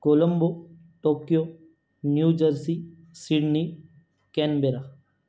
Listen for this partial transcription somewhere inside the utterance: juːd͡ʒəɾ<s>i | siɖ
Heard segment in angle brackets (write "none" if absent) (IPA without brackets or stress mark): s